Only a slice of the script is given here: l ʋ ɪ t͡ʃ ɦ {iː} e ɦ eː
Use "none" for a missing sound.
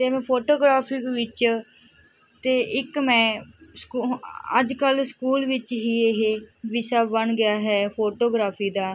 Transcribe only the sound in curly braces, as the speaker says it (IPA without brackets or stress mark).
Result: iː